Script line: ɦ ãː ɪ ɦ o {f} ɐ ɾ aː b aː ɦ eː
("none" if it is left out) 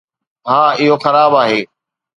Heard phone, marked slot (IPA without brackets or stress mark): x